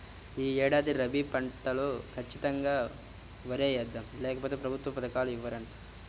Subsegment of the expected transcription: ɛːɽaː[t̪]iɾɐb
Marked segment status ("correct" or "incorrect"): incorrect